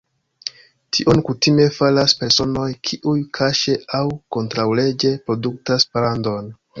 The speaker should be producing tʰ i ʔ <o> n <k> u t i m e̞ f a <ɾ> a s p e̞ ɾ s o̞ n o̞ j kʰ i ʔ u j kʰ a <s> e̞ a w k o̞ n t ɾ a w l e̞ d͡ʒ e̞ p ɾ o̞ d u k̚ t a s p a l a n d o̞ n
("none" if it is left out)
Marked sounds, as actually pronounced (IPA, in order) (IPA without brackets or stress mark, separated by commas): o, k, l, ʃ